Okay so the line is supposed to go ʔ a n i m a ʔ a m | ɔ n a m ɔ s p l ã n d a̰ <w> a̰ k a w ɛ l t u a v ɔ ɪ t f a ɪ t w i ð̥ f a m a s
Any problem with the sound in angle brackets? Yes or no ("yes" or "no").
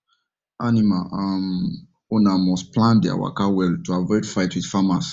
no